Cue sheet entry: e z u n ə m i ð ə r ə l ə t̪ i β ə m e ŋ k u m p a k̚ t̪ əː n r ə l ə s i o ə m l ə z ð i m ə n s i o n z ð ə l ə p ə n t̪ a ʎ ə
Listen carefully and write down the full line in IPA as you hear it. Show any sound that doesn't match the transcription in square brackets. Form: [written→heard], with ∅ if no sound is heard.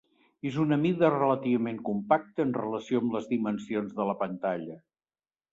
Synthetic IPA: e z u n ə m i ð ə r ə l ə t̪ i β ə m e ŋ k u m p a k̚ t̪ əː n r ə l ə s i o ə m l ə z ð i m ə n s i o n z ð ə l ə p ə n t̪ a ʎ ə